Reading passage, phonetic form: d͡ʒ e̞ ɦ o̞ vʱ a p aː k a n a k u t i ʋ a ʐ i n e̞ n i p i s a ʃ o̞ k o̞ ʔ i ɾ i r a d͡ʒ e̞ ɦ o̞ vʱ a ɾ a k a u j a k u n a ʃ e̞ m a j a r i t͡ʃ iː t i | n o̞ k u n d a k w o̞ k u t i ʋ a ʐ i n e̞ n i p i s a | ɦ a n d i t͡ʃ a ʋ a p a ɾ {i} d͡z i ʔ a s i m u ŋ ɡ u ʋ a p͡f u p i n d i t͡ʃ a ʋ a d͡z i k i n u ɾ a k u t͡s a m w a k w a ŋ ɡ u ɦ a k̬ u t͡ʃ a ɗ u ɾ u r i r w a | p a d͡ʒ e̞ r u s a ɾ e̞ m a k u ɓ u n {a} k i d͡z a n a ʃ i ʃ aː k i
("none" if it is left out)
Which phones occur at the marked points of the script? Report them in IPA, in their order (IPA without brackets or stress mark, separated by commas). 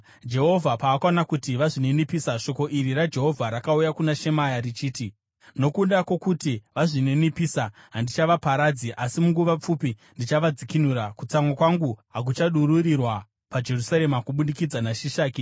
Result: a, i